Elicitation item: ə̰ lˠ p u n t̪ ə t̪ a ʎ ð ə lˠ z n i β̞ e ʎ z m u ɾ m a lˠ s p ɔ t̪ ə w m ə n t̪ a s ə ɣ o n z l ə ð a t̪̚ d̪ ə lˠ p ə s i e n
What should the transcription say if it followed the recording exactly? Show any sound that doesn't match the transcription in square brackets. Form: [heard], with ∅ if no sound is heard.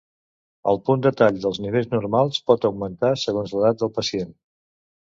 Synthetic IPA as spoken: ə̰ lˠ p u n [d̪] ə t̪ a ʎ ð ə lˠ z n i β̞ e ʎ z [n] u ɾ m a lˠ s p ɔ t̪ ə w m ə n t̪ a s ə ɣ o n z l ə ð a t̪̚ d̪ ə lˠ p ə s i e n